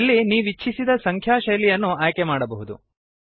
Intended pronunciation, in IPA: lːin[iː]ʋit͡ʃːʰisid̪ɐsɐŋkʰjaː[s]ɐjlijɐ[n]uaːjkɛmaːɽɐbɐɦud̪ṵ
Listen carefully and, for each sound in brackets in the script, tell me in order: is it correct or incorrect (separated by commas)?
correct, incorrect, incorrect